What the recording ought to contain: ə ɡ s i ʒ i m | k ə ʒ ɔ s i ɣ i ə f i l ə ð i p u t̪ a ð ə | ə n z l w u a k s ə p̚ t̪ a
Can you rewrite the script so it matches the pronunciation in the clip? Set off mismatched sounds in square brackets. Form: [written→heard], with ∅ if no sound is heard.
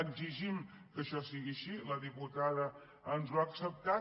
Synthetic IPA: ə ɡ [s→z] i ʒ i m | k ə [ʒ→ʃ] ɔ s i ɣ i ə [f→ʃ] i l ə ð i p u t̪ a ð ə | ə n z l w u a k s ə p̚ t̪ a

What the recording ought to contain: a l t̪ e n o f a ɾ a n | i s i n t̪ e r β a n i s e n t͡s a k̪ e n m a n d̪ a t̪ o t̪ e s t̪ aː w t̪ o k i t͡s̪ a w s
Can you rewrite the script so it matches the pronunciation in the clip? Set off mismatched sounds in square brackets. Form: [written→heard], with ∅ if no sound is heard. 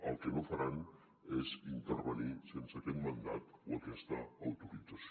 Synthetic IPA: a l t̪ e n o f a ɾ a n | [i→e] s i n t̪ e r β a n i s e n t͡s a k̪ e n m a n d̪ a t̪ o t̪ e s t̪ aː w t̪ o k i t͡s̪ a [w→∅] s

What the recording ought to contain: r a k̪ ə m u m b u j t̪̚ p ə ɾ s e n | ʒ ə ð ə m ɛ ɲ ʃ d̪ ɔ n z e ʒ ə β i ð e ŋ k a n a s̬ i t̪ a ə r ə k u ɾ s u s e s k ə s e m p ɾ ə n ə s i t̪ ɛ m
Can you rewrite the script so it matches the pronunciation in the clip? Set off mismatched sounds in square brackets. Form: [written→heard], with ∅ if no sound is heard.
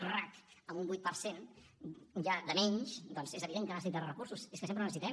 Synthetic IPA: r a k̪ ə m u m b u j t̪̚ p ə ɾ s e n | ʒ [ə→a] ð ə m ɛ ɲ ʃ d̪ ɔ n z e [ʒ→z] ə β i ð e ŋ k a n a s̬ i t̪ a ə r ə k u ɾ s u s e s k ə s e m p ɾ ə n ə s i t̪ ɛ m

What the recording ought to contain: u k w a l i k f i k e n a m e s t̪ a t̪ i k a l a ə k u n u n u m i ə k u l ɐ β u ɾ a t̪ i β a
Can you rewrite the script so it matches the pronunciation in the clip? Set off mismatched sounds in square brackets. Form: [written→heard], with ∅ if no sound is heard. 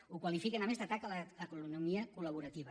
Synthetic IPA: u k w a l i [k→∅] f i k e n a m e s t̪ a t̪ [i→a] k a l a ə k u n u n u m i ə k u l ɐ β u ɾ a t̪ i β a

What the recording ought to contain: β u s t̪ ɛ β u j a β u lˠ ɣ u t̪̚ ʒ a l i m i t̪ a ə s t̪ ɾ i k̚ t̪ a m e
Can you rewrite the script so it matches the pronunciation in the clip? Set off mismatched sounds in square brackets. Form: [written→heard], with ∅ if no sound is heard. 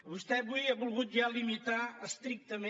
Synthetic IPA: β u s t̪ ɛ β u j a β u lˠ ɣ u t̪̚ ʒ a l i m i t̪ a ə s t̪ ɾ i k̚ t̪ [a→ə] m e

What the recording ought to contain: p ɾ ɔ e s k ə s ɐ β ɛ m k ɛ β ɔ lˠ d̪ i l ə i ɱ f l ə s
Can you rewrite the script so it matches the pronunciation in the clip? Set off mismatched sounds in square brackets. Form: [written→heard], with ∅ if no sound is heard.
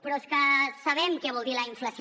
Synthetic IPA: p ɾ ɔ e s k ə s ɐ β ɛ m k ɛ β ɔ lˠ d̪ i l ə i ɱ f l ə s

